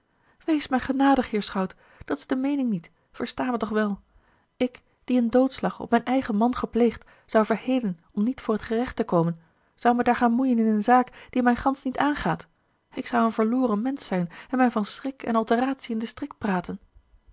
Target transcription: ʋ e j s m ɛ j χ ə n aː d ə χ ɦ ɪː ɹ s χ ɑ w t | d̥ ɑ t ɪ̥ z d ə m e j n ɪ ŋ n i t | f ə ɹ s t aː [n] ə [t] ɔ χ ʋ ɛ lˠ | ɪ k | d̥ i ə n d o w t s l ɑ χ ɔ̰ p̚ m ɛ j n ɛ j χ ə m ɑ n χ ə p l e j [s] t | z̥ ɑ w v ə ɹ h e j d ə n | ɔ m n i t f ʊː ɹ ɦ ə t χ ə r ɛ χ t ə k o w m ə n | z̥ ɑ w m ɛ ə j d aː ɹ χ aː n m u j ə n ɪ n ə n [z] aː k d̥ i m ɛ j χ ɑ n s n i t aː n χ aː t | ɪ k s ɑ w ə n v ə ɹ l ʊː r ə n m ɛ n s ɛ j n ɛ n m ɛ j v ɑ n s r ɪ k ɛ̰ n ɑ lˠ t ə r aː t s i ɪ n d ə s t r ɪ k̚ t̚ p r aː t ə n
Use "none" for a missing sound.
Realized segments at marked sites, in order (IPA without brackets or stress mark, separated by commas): m, t, χ, z